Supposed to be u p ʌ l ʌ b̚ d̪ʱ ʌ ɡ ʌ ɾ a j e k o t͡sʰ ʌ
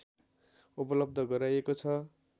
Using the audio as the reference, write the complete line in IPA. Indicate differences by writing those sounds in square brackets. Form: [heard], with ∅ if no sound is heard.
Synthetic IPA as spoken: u p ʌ l ʌ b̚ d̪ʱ ʌ ɡ ʌ ɾ a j e k o t͡sʰ ʌ

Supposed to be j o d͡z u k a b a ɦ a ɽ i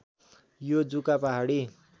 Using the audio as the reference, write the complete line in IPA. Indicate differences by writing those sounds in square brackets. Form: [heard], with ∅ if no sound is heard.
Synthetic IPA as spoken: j o d͡z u k a [p] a ɦ a ɽ i

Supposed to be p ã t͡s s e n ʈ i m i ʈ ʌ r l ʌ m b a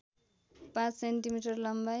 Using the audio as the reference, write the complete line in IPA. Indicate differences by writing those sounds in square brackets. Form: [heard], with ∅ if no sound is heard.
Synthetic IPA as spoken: p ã t͡s s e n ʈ i m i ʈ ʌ r l ʌ m b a

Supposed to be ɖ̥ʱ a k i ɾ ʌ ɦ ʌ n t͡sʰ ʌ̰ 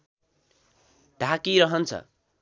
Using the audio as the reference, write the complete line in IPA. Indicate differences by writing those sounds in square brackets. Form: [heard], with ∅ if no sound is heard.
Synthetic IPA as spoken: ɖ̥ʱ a k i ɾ ʌ ɦ ʌ n t͡sʰ ʌ̰

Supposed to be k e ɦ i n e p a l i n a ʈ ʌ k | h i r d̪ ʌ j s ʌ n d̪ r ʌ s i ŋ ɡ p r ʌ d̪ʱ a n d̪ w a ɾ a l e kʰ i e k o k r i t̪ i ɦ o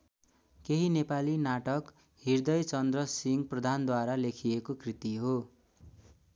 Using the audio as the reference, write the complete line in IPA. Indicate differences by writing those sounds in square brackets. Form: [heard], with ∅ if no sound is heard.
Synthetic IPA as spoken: k e ɦ i n e p a l i n a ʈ ʌ k | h i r d̪ ʌ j [t͡s] ʌ n d̪ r ʌ s i ŋ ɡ p r ʌ d̪ʱ a n d̪ w a ɾ a l e kʰ i e k o k r i t̪ i ɦ o

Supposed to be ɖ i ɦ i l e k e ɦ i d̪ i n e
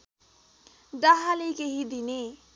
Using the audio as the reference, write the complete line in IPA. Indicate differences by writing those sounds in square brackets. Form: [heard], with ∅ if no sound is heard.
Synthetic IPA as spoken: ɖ [a] ɦ [a] l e k e ɦ i d̪ i n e

